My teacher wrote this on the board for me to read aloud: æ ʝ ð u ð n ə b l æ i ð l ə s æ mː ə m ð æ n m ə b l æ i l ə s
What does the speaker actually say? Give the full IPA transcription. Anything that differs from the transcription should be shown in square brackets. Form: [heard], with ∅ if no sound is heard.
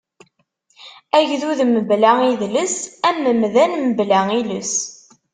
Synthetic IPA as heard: æ ʝ ð u ð [m] ə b l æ i ð l ə s æ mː ə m ð æ n m ə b l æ i l ə s